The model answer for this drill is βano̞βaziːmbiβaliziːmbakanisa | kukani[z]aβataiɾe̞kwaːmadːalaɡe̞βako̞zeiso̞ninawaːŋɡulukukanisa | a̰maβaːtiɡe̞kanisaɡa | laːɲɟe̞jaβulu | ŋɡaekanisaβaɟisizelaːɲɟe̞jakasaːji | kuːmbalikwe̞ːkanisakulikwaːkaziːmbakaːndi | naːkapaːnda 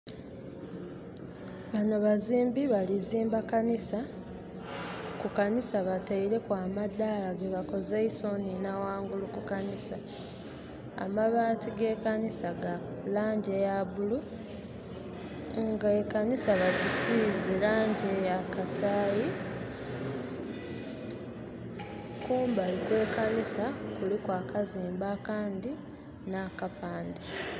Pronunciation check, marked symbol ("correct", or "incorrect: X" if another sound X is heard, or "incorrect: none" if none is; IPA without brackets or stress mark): incorrect: s